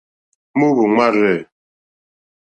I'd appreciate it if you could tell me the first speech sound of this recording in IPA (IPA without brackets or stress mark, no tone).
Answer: m